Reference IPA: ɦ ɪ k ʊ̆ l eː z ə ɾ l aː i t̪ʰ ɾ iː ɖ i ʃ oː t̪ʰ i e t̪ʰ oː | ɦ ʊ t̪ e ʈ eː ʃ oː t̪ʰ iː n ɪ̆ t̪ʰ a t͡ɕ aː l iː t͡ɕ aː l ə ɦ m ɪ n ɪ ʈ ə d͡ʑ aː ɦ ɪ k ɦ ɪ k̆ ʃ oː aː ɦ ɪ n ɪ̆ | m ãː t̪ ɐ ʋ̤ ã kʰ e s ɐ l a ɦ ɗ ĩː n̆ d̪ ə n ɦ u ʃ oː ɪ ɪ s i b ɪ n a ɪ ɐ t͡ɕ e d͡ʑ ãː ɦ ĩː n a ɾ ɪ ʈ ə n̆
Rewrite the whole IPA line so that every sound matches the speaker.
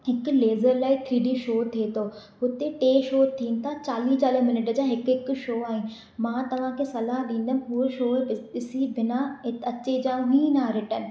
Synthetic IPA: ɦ ɪ k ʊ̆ l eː z ə ɾ l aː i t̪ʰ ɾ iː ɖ i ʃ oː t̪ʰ i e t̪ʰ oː | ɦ ʊ t̪ e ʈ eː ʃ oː t̪ʰ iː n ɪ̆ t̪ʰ a t͡ɕ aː l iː t͡ɕ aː l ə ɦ m ɪ n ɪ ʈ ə d͡ʑ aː ɦ ɪ k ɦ ɪ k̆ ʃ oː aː ɦ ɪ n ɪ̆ | m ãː t̪ ɐ ʋ̤ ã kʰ e s ɐ l a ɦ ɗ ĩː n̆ d̪ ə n ɦ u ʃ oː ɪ ɪ s i b ɪ n a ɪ ɐ t͡ɕ e d͡ʑ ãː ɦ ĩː n a ɾ ɪ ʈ ə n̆